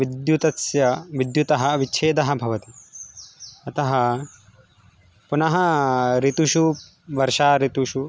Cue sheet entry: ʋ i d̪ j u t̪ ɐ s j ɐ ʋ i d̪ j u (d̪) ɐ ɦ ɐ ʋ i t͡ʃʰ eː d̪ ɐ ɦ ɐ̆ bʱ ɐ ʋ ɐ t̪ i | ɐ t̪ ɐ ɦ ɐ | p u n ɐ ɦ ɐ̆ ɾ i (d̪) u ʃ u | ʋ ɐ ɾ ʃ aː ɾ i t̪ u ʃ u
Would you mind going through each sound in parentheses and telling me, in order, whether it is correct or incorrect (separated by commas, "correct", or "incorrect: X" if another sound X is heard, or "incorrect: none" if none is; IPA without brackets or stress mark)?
incorrect: t̪, incorrect: t̪